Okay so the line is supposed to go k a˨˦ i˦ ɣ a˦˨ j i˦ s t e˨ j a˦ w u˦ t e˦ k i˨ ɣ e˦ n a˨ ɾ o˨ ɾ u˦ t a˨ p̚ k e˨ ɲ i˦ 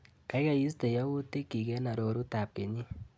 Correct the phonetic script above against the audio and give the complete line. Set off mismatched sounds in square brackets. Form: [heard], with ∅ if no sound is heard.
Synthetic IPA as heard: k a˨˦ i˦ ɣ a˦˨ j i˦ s t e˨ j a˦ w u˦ t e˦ k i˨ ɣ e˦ n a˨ ɾ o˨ ɾ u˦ t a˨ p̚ k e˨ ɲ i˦